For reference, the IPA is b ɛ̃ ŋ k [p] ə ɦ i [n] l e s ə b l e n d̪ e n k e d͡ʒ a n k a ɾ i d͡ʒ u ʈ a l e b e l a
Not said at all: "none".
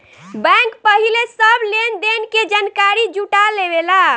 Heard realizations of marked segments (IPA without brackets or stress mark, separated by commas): p, none